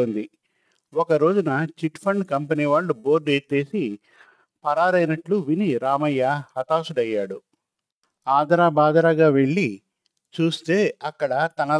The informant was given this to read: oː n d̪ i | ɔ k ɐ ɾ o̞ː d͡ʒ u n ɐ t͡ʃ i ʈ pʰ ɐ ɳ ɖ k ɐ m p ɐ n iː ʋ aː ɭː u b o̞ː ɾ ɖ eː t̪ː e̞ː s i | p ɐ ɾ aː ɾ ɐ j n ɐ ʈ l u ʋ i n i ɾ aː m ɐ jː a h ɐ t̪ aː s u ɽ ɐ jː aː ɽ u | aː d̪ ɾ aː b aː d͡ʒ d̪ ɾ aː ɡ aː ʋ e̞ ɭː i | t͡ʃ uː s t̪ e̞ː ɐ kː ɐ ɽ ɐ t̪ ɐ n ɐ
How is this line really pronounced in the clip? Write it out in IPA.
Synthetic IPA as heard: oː n d̪ i | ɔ k ɐ ɾ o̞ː d͡ʒ u n ɐ t͡ʃ i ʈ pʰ ɐ ɳ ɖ k ɐ m p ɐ n iː ʋ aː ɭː u b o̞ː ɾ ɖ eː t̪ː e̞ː s i | p ɐ ɾ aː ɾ ɐ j n ɐ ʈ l u ʋ i n i ɾ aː m ɐ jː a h ɐ t̪ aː s u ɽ ɐ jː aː ɽ u | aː d̪ ɾ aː b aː d̪ ɾ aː ɡ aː ʋ e̞ ɭː i | t͡ʃ uː s t̪ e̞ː ɐ kː ɐ ɽ ɐ t̪ ɐ n ɐ